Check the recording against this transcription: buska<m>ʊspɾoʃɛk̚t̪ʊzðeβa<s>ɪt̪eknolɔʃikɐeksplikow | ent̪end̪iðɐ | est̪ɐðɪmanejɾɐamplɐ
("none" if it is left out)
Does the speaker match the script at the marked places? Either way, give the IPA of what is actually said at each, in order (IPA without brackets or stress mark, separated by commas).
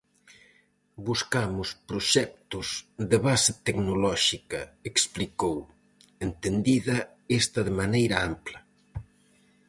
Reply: m, s